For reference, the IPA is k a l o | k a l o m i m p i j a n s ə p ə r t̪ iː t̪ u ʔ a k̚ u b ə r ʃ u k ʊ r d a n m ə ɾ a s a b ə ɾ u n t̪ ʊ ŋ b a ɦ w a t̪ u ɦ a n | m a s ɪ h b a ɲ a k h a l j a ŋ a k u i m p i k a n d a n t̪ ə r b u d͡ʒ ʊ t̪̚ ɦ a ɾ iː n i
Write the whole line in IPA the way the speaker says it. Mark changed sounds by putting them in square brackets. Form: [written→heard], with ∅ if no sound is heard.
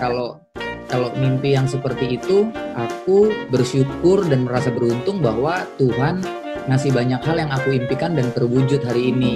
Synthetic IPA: k a l o | k a l o m i m p i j a [n→ŋ] s ə p ə r t̪ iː t̪ u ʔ a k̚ u b ə r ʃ u k ʊ r d a n m ə ɾ a s a b ə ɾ u n t̪ ʊ ŋ b a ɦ w a t̪ u ɦ a n | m a s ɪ h b a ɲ a k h a l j a ŋ a k u i m p i k a n d a n t̪ ə r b u d͡ʒ ʊ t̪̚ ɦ a ɾ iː n i